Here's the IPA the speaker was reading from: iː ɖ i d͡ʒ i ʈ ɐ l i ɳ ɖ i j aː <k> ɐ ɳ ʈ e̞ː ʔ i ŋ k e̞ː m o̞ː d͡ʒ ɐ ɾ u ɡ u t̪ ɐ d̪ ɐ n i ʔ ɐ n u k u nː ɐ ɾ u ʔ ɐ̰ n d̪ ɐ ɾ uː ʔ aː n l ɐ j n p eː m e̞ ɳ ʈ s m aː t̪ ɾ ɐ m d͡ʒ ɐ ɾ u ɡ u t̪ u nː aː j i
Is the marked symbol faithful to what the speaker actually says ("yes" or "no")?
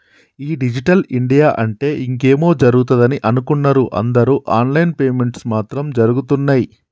no